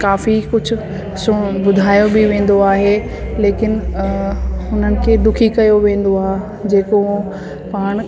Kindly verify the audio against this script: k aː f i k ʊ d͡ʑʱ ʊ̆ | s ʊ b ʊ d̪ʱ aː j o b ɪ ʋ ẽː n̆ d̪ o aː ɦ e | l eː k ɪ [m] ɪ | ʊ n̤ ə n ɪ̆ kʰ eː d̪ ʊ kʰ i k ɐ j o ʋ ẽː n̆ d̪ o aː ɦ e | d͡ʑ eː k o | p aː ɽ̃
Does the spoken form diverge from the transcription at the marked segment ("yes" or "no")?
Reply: yes